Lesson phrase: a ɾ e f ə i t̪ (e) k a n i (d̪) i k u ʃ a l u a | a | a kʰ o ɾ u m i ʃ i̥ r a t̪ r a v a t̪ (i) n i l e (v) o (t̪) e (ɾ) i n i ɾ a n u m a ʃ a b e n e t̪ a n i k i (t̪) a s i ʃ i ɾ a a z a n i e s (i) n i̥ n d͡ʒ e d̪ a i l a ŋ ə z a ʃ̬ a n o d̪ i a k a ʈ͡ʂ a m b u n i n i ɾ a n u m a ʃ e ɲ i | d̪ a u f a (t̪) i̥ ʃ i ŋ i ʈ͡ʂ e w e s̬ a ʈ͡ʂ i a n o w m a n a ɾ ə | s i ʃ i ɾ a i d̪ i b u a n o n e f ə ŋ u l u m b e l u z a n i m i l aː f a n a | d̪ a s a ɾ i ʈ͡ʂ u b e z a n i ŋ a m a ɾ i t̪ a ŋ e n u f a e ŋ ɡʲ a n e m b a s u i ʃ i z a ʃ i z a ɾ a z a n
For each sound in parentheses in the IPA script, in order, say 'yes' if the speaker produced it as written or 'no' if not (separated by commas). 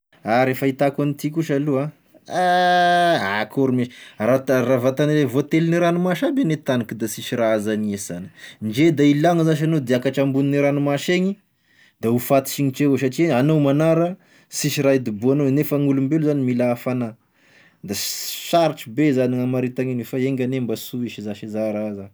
no, no, no, yes, yes, no, no, no, yes